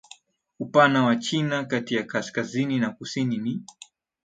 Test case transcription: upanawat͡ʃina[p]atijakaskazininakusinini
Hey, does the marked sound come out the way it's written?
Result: no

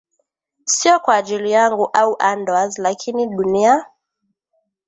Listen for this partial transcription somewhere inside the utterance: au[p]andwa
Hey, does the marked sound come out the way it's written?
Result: no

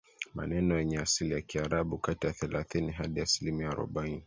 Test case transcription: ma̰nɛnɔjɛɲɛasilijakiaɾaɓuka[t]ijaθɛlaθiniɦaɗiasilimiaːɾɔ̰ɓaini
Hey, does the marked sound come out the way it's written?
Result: yes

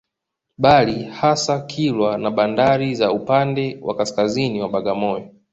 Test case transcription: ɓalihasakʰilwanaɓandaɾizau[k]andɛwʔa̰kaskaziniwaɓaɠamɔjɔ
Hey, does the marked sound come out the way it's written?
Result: no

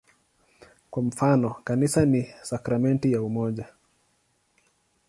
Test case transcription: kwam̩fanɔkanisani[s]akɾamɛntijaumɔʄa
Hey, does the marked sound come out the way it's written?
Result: yes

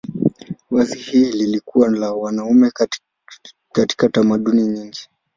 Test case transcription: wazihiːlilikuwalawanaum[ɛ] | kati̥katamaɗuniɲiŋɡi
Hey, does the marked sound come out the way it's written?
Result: yes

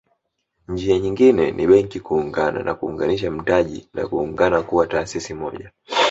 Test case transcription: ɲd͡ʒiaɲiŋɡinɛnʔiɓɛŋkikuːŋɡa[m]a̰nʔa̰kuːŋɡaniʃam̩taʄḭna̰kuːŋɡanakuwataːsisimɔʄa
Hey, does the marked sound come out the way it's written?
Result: no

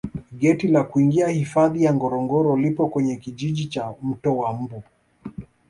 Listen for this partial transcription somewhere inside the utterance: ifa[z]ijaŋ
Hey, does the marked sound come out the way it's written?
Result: no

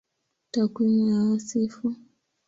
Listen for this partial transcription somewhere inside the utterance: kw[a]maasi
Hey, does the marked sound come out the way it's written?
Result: no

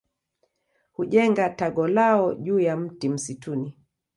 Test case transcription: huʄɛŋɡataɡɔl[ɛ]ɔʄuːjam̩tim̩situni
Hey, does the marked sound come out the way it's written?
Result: no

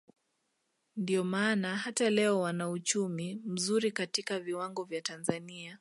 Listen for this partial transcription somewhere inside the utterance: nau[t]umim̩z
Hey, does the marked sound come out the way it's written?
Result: no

